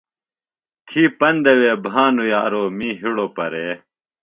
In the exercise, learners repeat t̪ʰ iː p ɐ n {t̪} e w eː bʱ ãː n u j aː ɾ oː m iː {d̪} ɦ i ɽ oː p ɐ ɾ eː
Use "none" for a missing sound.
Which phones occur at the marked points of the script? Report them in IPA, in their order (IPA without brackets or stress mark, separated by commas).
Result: d̪, none